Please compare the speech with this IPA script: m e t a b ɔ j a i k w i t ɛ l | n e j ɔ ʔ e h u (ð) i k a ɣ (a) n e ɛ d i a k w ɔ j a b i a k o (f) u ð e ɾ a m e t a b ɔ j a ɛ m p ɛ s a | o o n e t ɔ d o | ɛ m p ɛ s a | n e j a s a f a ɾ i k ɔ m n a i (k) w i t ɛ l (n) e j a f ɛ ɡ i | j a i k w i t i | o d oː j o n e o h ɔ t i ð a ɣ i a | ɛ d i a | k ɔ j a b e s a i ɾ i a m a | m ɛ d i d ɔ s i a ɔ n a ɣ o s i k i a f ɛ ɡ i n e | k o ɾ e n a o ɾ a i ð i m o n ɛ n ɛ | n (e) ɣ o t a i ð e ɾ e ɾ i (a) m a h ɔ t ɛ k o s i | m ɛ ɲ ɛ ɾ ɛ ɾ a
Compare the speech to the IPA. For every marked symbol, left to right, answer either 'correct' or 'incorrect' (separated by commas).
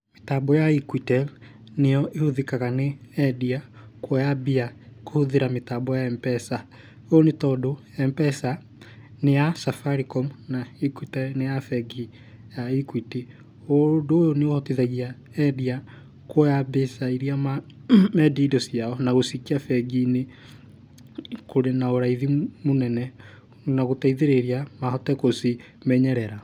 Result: correct, correct, incorrect, correct, correct, incorrect, correct